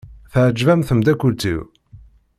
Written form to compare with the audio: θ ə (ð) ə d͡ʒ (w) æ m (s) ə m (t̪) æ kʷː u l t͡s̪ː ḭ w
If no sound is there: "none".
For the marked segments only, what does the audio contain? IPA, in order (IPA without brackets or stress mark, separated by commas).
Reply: ʕ, v, θ, d̪